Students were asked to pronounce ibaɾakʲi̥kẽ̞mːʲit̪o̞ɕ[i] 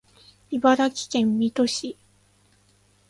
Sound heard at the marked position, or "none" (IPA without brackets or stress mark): i